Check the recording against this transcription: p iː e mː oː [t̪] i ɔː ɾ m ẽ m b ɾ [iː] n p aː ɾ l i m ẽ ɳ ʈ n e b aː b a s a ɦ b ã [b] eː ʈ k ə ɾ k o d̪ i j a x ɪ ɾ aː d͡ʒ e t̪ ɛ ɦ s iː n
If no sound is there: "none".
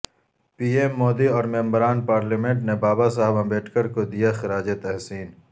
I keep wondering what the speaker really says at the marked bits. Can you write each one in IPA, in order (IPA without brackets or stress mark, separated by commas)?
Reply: d̪, aː, b